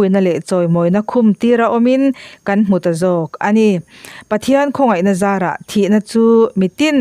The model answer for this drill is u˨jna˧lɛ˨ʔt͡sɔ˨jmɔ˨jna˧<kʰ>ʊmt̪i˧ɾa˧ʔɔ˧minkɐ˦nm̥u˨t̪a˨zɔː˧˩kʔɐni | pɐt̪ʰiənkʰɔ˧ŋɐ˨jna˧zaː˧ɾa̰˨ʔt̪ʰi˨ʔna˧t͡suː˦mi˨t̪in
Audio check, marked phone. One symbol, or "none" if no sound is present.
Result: kʰ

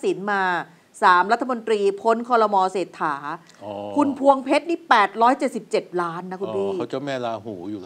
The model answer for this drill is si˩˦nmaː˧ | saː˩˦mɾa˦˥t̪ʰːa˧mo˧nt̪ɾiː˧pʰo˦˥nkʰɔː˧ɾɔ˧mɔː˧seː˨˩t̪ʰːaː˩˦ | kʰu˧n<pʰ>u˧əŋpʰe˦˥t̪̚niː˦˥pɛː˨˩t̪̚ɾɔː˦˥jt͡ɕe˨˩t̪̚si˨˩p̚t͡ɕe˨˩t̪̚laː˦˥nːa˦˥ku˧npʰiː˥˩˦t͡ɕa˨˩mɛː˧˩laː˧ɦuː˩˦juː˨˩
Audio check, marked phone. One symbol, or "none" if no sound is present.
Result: pʰ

